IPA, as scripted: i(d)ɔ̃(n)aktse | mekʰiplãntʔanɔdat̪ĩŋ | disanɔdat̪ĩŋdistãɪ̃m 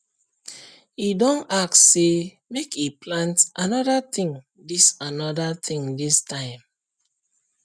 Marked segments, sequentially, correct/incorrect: correct, correct

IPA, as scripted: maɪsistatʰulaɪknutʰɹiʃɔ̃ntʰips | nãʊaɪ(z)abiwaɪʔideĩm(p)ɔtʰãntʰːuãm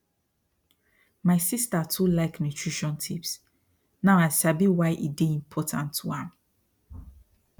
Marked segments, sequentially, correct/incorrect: incorrect, incorrect

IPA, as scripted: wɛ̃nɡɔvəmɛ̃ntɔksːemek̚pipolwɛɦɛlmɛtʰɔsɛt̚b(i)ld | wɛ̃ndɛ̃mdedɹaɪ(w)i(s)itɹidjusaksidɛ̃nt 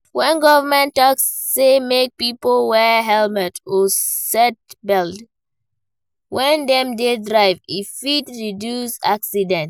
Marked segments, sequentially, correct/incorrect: incorrect, incorrect, incorrect

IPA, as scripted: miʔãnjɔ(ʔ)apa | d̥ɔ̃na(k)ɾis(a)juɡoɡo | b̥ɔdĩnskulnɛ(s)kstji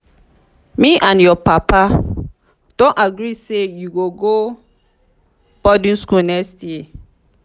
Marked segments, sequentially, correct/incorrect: incorrect, incorrect, incorrect, incorrect

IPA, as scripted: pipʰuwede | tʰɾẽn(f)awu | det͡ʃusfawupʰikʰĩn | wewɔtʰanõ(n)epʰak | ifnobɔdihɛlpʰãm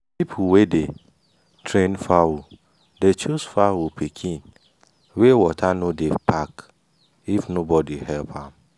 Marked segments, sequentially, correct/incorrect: correct, incorrect

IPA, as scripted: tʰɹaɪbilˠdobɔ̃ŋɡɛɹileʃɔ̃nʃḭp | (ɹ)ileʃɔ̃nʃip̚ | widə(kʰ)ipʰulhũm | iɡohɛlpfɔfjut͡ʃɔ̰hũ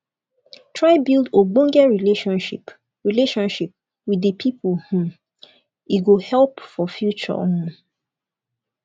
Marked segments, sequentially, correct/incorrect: correct, incorrect

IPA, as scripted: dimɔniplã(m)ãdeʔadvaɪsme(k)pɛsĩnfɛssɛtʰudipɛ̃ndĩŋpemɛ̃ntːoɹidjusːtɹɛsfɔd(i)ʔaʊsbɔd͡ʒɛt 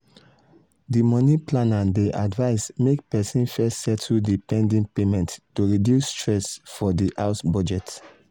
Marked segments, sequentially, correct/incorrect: incorrect, correct, correct

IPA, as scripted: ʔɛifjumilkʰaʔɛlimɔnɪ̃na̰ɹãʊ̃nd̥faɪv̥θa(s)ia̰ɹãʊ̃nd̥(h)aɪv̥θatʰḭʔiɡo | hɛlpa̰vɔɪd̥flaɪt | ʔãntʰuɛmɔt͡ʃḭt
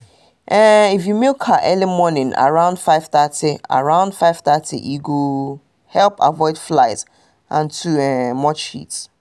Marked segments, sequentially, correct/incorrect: incorrect, incorrect

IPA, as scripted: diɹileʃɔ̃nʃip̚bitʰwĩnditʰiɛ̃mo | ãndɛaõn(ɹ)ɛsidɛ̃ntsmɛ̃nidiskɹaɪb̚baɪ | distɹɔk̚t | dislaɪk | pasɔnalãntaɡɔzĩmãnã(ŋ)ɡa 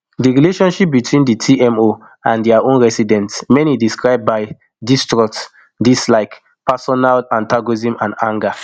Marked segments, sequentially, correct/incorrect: correct, correct

